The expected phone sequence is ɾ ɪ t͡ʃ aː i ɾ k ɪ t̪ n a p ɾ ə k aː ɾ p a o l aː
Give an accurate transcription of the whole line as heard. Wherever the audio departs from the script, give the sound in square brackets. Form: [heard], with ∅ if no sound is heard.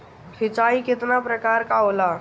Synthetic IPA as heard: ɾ ɪ t͡ʃ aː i [∅] k ɪ t̪ n a p ɾ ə k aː ɾ [k] a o l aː